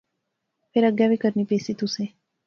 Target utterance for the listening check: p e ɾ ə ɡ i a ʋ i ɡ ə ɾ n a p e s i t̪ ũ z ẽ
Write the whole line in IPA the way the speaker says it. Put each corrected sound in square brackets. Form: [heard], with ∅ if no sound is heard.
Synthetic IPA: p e ɾ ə ɡ [j] a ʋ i [k] ə ɾ n [i] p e s i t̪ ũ [s] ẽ

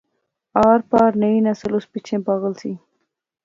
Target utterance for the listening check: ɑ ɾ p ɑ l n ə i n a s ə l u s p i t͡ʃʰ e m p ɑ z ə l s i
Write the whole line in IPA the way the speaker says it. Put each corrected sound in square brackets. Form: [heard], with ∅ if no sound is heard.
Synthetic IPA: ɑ ɾ p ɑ [ɾ] n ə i n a s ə l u s p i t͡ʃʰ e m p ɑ [ɣ] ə l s i

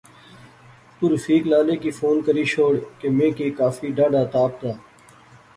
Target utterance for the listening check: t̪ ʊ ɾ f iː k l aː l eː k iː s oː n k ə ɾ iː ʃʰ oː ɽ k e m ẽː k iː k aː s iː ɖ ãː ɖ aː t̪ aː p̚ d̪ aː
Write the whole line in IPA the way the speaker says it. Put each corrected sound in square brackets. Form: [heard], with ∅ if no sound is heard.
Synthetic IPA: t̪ ʊ ɾ f iː k l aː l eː k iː [f] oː n k ə ɾ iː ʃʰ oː ɽ k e m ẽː k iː k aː [f] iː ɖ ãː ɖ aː t̪ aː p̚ [t̪] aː

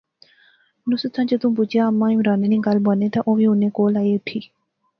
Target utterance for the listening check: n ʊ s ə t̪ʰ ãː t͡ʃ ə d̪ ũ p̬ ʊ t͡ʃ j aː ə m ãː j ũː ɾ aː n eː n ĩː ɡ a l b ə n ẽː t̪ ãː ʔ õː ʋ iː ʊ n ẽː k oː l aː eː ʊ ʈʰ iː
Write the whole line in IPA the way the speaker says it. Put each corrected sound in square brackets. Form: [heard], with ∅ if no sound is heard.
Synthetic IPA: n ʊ s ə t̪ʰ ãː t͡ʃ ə [t̪] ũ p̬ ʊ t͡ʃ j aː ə m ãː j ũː ɾ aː n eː n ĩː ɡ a l b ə n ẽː t̪ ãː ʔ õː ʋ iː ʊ n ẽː k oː l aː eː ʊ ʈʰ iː

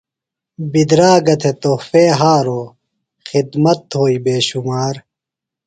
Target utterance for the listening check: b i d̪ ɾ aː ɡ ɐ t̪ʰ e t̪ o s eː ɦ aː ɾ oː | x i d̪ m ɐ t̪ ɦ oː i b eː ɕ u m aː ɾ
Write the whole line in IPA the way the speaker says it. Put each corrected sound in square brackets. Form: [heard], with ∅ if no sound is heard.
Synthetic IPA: b i d̪ ɾ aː ɡ ɐ t̪ʰ e t̪ o [f] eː ɦ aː ɾ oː | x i d̪ m ɐ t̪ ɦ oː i b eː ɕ u m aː ɾ

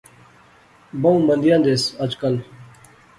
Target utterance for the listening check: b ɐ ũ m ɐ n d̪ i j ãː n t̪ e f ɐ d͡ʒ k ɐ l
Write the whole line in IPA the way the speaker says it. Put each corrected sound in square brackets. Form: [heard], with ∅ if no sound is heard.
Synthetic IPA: b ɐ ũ m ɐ n d̪ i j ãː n [d̪] e [s] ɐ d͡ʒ k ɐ l

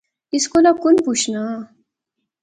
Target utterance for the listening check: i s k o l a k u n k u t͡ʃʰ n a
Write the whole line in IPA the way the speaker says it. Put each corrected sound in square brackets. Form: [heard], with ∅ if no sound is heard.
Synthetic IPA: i s k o l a k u n [p] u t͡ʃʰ n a

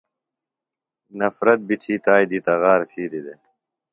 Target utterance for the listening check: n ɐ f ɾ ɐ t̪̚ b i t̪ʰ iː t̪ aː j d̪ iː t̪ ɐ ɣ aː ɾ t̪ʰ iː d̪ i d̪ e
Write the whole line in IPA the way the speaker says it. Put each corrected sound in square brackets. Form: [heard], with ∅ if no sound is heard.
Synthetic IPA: n ɐ f ɾ ɐ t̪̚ b i t̪ʰ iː t̪ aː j d̪ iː t̪ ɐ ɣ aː ɾ t̪ʰ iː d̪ i d̪ e

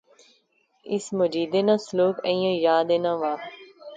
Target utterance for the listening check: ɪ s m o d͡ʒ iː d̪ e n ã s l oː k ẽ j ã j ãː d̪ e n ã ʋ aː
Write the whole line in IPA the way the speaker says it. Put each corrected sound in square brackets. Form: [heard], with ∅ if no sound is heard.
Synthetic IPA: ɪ s m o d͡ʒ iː d̪ e n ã s l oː k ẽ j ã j [aː] d̪ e n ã ʋ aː

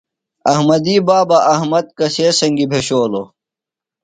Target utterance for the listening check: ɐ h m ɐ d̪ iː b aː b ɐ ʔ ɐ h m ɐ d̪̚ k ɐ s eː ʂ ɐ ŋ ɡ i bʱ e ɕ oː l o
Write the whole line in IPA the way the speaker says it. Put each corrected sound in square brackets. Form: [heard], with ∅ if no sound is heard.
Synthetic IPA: ɐ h m ɐ d̪ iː b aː b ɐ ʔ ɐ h m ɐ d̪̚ k ɐ s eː [s] ɐ ŋ ɡ i bʱ e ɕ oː l o

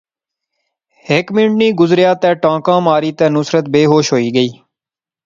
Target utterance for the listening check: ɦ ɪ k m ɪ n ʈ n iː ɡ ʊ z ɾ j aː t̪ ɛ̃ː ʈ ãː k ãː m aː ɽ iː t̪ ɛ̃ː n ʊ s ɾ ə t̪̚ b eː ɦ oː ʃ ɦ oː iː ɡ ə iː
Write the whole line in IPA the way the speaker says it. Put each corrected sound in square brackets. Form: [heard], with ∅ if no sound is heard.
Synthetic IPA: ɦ ɪ k m ɪ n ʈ n iː ɡ ʊ z ɾ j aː t̪ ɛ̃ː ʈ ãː k ãː m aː [ɾ] iː t̪ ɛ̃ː n ʊ s ɾ ə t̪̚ b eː ɦ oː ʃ ɦ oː iː ɡ ə iː

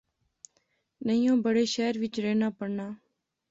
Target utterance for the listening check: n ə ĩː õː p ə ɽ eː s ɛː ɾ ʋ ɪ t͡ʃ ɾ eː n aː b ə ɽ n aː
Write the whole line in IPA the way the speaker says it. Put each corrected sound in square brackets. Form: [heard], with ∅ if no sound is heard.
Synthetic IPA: n ə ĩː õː [b] ə ɽ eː [ʃ] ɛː ɾ ʋ ɪ t͡ʃ ɾ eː n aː [p] ə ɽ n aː

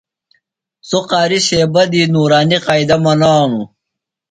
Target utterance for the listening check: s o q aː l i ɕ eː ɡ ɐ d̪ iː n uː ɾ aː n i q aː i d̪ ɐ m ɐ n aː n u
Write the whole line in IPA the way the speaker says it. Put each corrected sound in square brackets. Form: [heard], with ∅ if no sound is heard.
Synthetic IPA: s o q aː [ɾ] i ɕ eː [b] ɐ d̪ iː n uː ɾ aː n i q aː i d̪ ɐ m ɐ n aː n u

